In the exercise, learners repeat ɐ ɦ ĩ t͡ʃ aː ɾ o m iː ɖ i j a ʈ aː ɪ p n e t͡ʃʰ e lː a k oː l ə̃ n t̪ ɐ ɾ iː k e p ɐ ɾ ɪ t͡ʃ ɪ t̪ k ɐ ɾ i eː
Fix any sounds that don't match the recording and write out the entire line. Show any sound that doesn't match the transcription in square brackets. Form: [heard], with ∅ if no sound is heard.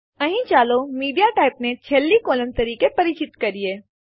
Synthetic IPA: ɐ ɦ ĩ t͡ʃ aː [l] o m iː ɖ i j a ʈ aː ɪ p n e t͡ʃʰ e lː [i] k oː l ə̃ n t̪ ɐ ɾ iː k e p ɐ ɾ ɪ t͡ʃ ɪ t̪ k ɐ ɾ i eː

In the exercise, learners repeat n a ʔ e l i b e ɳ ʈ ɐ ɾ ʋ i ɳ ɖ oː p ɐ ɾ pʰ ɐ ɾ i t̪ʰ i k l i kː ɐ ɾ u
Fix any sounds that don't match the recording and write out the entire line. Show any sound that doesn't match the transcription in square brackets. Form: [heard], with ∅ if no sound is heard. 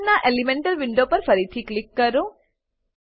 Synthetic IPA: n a ʔ e l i [m] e ɳ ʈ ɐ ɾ ʋ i ɳ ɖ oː p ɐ ɾ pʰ ɐ ɾ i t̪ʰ i k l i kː ɐ ɾ u

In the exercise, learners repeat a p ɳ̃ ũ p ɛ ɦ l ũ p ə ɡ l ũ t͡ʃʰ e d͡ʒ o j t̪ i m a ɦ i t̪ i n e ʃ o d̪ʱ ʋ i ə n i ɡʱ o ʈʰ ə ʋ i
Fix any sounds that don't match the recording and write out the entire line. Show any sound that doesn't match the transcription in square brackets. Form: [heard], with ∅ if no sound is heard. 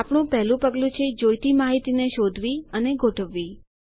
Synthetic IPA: a p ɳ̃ ũ p ɛ ɦ l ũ p ə ɡ l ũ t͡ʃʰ e d͡ʒ o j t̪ i m a ɦ i t̪ i n e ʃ o d̪ʱ ʋ i ə n [e] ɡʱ o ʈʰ ə [ʋː] i

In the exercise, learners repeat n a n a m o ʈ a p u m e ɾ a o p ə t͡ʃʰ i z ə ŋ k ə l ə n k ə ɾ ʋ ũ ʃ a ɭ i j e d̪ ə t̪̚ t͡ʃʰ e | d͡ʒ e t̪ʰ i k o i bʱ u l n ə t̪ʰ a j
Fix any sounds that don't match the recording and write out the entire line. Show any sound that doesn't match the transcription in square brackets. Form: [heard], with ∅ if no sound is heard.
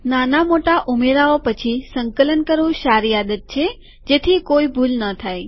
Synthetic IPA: n a n a m o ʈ a [ʔ] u m e ɾ a o p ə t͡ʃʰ i [s] ə ŋ k ə l ə n k ə ɾ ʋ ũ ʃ a [ɾ] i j [a] d̪ ə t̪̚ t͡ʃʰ e | d͡ʒ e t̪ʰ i k o i bʱ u l n ə t̪ʰ a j

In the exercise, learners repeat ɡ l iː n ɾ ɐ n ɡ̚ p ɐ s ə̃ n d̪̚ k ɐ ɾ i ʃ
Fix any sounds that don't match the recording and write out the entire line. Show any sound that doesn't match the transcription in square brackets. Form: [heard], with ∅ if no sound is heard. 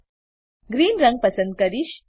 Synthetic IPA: ɡ [ɾ] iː n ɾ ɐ [ŋ] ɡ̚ p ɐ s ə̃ n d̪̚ k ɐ ɾ i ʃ

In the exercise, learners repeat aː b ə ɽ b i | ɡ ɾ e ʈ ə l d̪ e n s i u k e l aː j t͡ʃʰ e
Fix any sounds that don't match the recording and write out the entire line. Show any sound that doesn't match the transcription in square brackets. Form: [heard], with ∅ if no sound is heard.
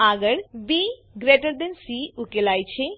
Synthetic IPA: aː [ɡ] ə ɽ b i | ɡ ɾ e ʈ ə [ɾ] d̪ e n s i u k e l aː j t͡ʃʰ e

